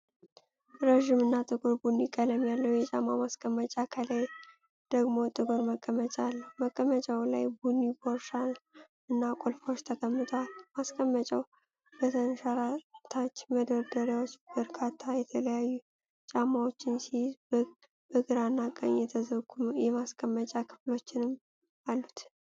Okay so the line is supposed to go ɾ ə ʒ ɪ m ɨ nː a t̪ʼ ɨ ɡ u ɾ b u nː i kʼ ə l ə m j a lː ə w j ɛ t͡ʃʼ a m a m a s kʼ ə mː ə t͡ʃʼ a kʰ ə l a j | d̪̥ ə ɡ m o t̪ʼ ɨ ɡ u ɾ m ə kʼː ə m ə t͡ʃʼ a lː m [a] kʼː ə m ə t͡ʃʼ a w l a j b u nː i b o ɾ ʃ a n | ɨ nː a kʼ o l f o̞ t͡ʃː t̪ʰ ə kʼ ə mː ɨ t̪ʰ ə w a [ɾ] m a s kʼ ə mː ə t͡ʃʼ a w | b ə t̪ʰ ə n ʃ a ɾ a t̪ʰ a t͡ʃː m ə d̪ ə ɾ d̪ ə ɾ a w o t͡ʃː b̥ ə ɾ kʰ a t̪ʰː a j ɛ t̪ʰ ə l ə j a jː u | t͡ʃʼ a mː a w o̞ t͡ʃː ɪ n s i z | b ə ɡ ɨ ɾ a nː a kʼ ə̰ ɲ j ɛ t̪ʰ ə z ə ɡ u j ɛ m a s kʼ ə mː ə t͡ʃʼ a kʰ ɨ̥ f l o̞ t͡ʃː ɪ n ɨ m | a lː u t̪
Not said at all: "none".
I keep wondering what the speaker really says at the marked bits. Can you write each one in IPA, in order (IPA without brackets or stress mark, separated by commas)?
ə, l